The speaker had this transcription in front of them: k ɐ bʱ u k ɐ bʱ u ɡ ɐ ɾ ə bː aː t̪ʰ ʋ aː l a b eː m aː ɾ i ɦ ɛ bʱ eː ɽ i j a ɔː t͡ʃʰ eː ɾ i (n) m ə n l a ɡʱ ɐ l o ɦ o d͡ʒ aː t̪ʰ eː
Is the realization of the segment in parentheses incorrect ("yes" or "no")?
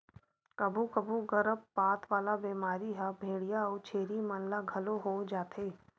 yes